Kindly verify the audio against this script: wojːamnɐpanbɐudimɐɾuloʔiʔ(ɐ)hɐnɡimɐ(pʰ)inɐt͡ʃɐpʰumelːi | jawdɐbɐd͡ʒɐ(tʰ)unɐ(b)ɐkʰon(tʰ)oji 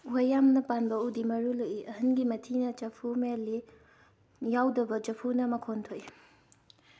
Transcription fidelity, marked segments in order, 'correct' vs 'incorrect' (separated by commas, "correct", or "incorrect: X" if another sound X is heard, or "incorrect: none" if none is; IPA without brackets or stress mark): correct, incorrect: tʰ, incorrect: pʰ, incorrect: m, correct